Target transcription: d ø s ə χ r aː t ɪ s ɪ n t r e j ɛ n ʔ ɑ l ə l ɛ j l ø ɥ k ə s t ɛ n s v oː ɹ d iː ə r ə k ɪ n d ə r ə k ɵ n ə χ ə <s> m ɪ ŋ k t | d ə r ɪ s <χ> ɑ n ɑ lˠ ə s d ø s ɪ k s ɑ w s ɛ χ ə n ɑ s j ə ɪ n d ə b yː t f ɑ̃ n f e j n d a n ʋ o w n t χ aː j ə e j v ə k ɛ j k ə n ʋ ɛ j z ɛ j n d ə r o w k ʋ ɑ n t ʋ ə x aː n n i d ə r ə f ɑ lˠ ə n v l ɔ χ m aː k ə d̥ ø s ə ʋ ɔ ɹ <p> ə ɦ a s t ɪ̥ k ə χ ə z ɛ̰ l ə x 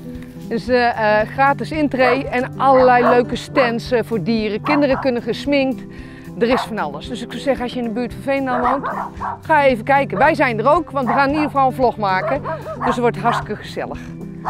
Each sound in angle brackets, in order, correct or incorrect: correct, incorrect: f, incorrect: t

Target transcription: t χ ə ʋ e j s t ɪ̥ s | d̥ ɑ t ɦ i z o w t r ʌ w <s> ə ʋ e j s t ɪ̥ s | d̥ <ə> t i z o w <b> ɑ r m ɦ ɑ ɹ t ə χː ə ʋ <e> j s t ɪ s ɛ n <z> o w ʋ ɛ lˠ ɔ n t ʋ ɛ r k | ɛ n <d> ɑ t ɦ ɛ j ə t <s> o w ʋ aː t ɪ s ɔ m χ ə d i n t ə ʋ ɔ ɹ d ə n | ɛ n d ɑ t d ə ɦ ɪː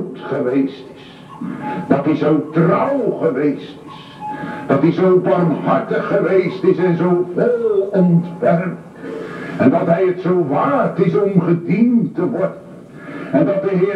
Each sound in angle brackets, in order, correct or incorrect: incorrect: χ, incorrect: ɑ, correct, correct, correct, correct, correct

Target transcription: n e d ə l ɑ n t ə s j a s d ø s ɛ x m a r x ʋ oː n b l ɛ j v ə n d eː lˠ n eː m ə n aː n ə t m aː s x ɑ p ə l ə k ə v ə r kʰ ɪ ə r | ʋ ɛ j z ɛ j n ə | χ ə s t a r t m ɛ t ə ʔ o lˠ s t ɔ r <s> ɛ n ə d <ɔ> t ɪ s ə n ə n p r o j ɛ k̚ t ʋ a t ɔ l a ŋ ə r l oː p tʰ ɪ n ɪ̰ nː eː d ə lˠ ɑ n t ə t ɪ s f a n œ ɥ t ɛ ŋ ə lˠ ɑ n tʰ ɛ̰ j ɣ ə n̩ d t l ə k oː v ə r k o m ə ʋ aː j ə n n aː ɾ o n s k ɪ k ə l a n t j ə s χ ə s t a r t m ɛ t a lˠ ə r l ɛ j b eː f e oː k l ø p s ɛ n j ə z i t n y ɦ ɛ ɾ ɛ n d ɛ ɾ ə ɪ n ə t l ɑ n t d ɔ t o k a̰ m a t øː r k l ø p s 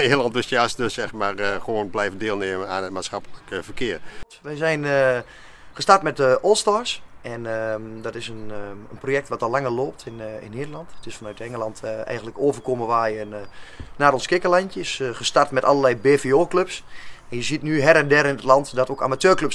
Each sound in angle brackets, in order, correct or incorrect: correct, correct

